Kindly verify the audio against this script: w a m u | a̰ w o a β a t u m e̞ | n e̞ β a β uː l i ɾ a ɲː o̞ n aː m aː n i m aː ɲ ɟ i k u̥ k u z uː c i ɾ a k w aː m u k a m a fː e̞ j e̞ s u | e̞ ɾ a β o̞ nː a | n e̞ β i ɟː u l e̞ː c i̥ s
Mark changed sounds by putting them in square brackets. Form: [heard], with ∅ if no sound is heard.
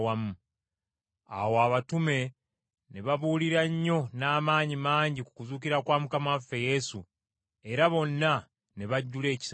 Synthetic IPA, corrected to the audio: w a m u | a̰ w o a β a t u m e̞ | n e̞ β a β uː l i ɾ a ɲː o̞ n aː m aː [ɲ] i m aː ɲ ɟ i k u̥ k u z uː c i ɾ a k w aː m u k a m a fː e̞ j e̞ s u | e̞ ɾ a β o̞ nː a | n e̞ β [a] ɟː u l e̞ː c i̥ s

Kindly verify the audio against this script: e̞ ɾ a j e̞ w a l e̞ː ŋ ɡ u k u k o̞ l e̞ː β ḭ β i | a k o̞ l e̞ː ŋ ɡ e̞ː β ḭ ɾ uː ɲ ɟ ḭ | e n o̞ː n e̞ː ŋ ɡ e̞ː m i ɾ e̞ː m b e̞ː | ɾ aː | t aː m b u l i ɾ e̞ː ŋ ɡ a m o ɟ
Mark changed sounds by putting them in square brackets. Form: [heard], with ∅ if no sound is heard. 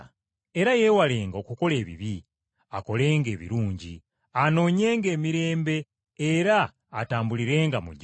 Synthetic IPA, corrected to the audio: e̞ ɾ a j e̞ w a l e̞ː ŋ ɡ [o] k u k o̞ l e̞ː β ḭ β i | a k o̞ l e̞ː ŋ ɡ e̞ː β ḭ ɾ uː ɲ ɟ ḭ | [a] n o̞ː [ɲ] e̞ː ŋ ɡ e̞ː m i ɾ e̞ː m b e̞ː | ɾ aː | t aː m b u l i ɾ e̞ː ŋ ɡ a m [u] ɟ

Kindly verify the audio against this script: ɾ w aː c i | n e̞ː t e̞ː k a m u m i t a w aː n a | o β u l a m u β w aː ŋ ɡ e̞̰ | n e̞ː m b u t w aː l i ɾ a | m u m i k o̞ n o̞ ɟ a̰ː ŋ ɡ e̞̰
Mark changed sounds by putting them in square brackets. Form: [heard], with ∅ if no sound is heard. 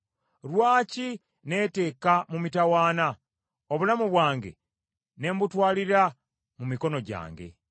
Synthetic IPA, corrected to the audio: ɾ w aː c i | n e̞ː t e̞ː k a m u m i t a w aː n a | o β u l a m u β w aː ŋ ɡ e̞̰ | n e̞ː m b u t w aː l i ɾ a | m u m i k o̞ n o̞ ɟ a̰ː ŋ ɡ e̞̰

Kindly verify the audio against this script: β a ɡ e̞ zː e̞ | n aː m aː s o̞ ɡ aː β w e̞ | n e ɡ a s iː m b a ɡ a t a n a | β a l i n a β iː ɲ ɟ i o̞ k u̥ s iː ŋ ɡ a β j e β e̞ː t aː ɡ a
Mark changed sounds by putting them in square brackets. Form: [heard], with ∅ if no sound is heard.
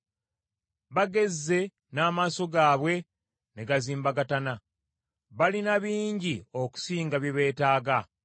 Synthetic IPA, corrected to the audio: β a ɡ e̞ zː e̞ | n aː m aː s o̞ ɡ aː β w e̞ | n e ɡ a [z] iː m b a ɡ a t a n a | β a l i n a β iː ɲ ɟ i o̞ k u̥ s iː ŋ ɡ a β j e β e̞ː t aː ɡ a

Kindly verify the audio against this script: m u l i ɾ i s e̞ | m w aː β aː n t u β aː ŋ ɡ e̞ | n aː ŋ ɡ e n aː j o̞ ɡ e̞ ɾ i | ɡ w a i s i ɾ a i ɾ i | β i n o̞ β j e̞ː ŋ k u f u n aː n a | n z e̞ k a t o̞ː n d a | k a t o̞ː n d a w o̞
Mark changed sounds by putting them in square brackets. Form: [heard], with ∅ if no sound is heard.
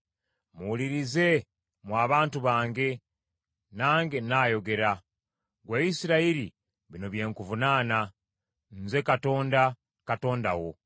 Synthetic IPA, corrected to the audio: m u l i ɾ i [z] e̞ | m w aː β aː n t u β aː ŋ ɡ e̞ | n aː ŋ ɡ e n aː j o̞ ɡ e̞ ɾ [a] | ɡ w a i s i ɾ a i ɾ i | β i n o̞ β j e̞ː ŋ k u [v] u n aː n a | n z e̞ k a t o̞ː n d a | k a t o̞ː n d a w o̞

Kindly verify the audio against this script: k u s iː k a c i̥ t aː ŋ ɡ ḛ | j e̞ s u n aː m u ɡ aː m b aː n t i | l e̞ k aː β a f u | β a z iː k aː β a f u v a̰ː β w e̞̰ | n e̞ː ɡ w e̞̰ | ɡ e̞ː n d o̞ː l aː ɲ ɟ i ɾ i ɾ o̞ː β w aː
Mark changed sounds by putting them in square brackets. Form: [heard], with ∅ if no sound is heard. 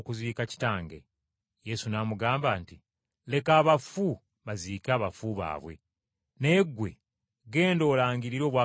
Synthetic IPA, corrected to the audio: k u [z] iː k a c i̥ t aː ŋ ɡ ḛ | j e̞ s u n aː m u ɡ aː m b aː n t i | l e̞ k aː β a f u | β a z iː k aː β a f u [β] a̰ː β w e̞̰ | n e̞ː ɡ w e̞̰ | ɡ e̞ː n d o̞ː l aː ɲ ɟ i ɾ i ɾ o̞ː β w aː

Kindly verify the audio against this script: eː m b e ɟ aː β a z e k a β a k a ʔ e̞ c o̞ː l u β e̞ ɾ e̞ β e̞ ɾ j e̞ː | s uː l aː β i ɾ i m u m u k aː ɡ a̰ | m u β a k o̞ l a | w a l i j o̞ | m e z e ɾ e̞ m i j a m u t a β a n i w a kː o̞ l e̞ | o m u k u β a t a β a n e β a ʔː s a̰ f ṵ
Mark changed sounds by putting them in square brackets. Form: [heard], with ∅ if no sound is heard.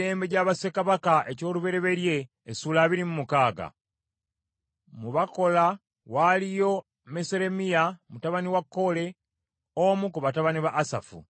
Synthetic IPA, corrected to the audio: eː m b e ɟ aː β a [s] e k a β a k a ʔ e̞ c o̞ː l u β e̞ ɾ e̞ β e̞ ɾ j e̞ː | s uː l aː β i ɾ i m u m u k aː ɡ a̰ | m u β a k o̞ l a | w a l i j o̞ | m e [s] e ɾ e̞ m i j a m u t a β a n i w a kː o̞ l e̞ | o m u k u β a t a β a n [i] β a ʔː s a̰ f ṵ

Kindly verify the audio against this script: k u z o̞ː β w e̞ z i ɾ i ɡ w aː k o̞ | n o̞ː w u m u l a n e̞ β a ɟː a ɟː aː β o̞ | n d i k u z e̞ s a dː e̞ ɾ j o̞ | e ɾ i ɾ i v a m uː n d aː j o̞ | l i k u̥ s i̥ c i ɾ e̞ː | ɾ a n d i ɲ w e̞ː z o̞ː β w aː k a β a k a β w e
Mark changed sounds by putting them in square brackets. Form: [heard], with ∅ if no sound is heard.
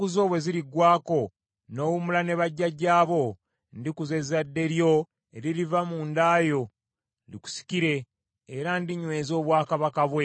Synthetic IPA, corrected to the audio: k u z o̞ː β w e̞ z i ɾ i ɡ w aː k o̞ | n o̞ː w u m u l a n e̞ β a ɟː a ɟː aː β o̞ | n d i k u z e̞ [z] a dː e̞ ɾ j o̞ | e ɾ i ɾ i v a m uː n d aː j o̞ | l i k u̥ s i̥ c i ɾ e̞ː | ɾ a n d i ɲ w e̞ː z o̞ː β w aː k a β a k a β w e

